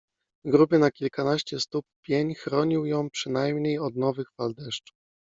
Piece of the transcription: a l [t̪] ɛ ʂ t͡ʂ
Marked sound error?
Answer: yes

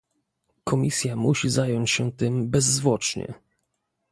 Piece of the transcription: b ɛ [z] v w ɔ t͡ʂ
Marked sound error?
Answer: yes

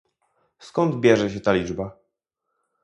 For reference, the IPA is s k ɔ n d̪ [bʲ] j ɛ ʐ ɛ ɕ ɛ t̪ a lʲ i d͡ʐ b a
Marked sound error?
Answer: no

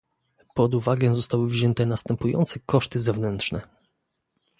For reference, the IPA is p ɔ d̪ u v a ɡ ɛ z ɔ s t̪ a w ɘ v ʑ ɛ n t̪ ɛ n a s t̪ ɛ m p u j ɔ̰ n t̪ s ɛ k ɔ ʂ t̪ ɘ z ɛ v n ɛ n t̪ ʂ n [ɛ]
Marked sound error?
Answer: no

